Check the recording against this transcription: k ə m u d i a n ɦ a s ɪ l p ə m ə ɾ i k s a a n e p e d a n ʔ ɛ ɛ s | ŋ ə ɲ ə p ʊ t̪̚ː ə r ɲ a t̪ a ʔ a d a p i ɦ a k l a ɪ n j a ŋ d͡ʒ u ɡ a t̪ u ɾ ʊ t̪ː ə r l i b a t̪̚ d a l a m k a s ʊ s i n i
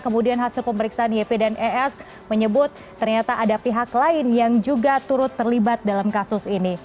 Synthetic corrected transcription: k ə m u d i a n ɦ a s ɪ l p ə m ə ɾ i k s a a n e p e d a n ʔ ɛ ɛ s | m ə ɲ ə b ʊ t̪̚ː ə r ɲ a t̪ a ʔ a d a p i ɦ a k l a ɪ n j a ŋ d͡ʒ u ɡ a t̪ u ɾ ʊ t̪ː ə r l i b a t̪̚ d a l a m k a s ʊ s i n i